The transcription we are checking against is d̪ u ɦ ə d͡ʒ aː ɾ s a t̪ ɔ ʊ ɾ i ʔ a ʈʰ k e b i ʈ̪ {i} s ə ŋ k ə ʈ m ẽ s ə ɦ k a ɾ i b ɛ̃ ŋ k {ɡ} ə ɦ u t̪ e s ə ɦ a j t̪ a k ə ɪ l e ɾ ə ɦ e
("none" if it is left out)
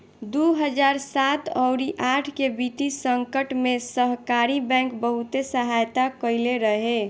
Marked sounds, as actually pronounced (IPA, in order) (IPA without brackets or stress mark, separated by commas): i, b